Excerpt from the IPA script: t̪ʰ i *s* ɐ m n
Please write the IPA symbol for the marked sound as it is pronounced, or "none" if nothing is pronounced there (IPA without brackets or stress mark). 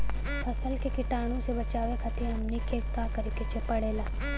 none